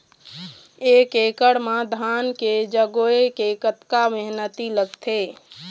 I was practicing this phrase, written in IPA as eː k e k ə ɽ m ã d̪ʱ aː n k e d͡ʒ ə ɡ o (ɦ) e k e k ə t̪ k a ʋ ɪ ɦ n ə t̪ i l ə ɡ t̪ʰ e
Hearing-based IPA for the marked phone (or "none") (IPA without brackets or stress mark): none